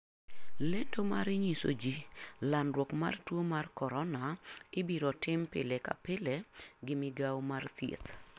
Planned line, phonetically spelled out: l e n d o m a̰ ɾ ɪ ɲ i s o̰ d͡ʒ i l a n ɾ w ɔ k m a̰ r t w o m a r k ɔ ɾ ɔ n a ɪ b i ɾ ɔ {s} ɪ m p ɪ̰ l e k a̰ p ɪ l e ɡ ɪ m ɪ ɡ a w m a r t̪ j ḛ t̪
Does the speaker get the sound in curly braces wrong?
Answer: yes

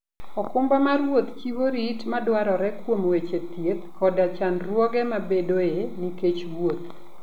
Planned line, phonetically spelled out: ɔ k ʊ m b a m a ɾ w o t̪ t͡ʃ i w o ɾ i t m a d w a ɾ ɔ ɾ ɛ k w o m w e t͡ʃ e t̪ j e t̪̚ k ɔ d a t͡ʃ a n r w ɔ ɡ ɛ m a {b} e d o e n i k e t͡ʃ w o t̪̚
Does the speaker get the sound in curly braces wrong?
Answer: no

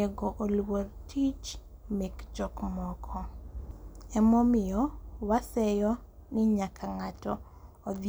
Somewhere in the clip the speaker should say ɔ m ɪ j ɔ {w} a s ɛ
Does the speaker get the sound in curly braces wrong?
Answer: no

